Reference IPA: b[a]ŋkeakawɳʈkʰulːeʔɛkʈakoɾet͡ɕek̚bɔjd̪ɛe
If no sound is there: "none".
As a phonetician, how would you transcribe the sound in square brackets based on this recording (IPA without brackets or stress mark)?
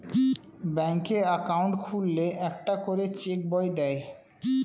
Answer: ɛ